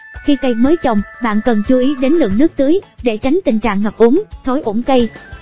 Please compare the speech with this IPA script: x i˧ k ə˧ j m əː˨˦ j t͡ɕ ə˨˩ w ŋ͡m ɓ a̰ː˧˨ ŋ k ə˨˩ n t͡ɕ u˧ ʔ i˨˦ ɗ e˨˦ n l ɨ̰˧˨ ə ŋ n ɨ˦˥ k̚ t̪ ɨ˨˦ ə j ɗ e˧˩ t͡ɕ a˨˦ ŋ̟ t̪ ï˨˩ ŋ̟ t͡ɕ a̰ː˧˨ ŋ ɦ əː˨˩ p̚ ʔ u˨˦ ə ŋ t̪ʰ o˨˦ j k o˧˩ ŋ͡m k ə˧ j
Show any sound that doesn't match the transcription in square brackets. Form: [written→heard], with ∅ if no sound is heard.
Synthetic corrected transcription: x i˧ k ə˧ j m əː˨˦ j t͡ɕ ə˨˩ w ŋ͡m ɓ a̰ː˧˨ [ŋ→n] k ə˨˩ n t͡ɕ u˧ ʔ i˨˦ ɗ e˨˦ n l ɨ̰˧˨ ə ŋ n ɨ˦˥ k̚ t̪ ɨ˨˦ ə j ɗ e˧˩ t͡ɕ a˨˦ ŋ̟ t̪ ï˨˩ ŋ̟ t͡ɕ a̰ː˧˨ ŋ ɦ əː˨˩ p̚ ʔ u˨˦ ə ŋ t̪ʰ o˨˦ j [k→ʔ] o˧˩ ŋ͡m k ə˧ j